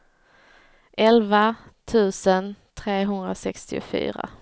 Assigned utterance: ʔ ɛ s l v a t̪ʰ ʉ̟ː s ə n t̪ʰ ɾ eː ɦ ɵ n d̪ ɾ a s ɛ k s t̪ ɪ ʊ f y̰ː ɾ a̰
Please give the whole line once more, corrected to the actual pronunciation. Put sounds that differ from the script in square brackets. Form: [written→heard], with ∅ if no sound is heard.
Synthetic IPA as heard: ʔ ɛ [s→∅] l v a t̪ʰ ʉ̟ː s ə n t̪ʰ ɾ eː ɦ ɵ n d̪ ɾ a s ɛ k s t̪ ɪ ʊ f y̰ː ɾ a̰